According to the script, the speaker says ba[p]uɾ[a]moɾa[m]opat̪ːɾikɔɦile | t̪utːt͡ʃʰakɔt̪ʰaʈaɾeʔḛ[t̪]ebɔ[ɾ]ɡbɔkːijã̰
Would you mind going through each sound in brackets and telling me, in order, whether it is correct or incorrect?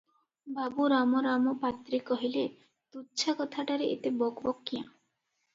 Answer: incorrect: b, correct, correct, correct, incorrect: none

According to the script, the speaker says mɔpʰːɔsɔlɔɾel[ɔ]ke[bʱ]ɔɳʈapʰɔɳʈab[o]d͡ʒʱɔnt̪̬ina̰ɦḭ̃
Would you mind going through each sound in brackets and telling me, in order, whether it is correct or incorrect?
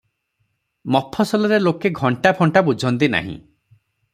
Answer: incorrect: o, incorrect: ɡʱ, incorrect: u

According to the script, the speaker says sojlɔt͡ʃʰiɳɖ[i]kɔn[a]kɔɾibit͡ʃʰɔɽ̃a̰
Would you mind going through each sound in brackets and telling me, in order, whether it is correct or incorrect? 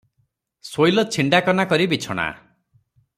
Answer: incorrect: a, correct

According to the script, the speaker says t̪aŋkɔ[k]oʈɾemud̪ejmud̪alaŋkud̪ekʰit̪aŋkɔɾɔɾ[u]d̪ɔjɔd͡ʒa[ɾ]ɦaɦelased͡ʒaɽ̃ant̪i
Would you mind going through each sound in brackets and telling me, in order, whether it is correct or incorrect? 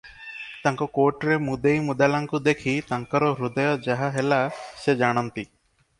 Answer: correct, correct, incorrect: none

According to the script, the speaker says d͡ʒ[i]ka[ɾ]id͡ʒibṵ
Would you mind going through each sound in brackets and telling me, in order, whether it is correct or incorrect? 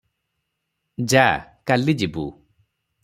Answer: incorrect: a, incorrect: l

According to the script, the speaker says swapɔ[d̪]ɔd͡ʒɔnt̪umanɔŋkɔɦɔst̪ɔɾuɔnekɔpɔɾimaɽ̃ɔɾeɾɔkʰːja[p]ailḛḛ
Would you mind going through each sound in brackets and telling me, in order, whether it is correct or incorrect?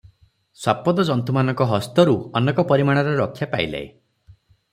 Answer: correct, correct

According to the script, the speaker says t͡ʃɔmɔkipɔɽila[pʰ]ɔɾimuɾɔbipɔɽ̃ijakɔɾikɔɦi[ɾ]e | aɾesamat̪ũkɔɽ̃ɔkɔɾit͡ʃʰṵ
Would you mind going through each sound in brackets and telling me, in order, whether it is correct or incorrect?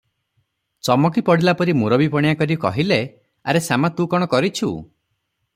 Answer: incorrect: p, incorrect: l

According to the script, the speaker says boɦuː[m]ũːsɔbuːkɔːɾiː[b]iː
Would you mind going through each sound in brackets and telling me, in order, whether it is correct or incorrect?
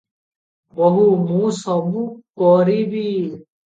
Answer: correct, correct

